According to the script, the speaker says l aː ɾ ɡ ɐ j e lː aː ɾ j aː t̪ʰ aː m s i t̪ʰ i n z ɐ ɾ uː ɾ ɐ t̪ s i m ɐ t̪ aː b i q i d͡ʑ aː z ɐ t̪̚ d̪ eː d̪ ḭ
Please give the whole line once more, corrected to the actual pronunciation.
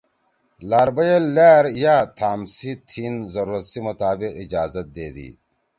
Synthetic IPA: l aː ɾ b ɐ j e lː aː ɾ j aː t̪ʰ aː m s i t̪ʰ i n z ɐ ɾ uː ɾ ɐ t̪ s i m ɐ t̪ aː b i q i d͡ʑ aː z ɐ t̪̚ d̪ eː d̪ ḭ